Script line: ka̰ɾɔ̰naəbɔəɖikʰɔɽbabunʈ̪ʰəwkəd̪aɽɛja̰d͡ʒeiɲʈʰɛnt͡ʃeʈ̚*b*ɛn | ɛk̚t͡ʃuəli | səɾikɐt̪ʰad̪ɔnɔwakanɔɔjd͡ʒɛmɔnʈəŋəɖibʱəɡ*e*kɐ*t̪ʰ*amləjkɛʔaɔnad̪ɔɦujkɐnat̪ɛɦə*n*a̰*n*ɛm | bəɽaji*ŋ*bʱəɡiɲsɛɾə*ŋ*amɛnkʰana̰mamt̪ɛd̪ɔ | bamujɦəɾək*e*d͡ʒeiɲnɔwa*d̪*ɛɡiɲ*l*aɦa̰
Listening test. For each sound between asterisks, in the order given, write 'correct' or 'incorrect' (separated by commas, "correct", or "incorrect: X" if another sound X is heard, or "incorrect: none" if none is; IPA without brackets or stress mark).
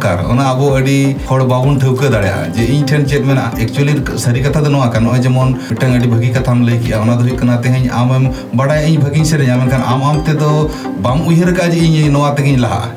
incorrect: m, incorrect: i, correct, incorrect: ɲ, incorrect: m, incorrect: ɲ, incorrect: ɲ, incorrect: a, incorrect: t̪, correct